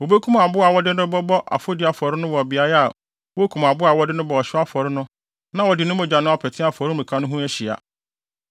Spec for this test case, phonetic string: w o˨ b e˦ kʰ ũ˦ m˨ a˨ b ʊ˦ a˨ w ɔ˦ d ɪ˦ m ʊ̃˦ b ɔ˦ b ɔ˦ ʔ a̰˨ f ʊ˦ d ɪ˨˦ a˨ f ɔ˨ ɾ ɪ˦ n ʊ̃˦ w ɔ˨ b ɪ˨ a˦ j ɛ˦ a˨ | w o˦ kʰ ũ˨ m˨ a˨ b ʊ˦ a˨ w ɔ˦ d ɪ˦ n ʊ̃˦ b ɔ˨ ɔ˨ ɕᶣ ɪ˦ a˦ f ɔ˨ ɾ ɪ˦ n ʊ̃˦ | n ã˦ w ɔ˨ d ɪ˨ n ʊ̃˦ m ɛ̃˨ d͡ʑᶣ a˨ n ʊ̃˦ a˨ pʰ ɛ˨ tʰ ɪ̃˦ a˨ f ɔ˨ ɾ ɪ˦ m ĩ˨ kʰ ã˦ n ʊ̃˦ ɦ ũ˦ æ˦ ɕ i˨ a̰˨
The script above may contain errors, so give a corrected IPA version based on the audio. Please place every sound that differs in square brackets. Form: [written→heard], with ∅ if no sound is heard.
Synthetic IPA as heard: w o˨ b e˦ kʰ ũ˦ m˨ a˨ b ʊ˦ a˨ w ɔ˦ d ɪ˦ [m→n] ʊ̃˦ b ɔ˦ b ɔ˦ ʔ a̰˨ f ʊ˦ d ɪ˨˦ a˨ f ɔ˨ ɾ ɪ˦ n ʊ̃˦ w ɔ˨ b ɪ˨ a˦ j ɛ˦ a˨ | w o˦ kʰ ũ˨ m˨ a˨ b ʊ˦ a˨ w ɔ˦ d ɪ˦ n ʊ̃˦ b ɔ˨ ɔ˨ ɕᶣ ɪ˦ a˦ f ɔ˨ ɾ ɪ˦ n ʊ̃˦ | n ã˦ w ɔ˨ d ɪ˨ n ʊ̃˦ m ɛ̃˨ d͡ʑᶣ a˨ n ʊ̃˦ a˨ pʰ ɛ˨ tʰ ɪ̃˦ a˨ f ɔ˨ ɾ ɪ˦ m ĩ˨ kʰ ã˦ n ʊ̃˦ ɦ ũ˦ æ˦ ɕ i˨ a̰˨